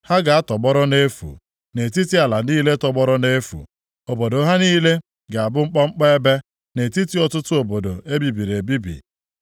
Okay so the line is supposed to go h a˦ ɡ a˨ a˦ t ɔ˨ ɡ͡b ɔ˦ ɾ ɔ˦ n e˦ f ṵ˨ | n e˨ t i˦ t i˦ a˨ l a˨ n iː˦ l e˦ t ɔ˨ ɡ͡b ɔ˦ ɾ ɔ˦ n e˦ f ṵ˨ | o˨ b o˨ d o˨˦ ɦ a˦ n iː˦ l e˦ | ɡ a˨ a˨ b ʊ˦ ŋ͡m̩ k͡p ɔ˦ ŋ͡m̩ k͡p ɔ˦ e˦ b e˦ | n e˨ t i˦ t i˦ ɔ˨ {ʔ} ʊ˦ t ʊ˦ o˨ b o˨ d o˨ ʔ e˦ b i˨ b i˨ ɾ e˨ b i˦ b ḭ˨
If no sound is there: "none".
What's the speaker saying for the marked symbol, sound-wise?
t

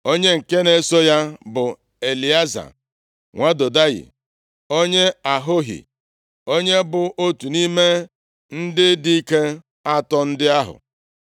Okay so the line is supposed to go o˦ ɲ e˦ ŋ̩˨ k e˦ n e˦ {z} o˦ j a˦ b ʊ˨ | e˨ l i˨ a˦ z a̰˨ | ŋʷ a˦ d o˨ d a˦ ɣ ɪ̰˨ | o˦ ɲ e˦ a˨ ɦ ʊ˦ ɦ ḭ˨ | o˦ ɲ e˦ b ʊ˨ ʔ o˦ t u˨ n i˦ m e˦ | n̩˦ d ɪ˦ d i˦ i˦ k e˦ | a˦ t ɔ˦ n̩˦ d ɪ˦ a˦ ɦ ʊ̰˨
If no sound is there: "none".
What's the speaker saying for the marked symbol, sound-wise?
s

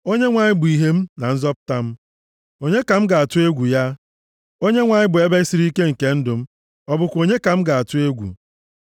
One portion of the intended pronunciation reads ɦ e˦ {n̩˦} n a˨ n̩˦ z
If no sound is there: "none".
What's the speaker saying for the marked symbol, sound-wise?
m̩˦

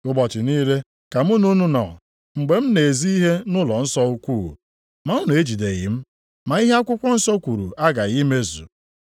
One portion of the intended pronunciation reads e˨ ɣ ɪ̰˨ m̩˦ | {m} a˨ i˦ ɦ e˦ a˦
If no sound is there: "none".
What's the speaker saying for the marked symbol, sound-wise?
m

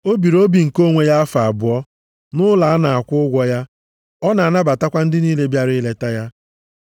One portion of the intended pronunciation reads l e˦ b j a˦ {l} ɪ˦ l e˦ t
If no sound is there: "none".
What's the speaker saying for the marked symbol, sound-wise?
ɾ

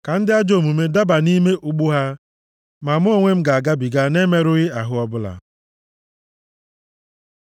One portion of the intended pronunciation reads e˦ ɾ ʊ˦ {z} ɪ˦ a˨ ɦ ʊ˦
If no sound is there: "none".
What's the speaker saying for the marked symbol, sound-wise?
ɣ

